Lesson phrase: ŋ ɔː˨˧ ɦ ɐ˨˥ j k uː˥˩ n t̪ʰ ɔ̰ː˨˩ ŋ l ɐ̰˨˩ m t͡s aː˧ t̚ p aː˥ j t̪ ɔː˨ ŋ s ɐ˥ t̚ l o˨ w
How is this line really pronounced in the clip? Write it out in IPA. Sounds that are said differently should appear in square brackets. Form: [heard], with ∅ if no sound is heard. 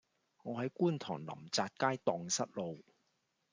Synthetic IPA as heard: ŋ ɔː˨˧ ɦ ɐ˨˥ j k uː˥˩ n t̪ʰ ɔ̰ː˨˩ ŋ l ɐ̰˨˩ m t͡s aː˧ t̚ [k] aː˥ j t̪ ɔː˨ ŋ s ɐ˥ t̚ l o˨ w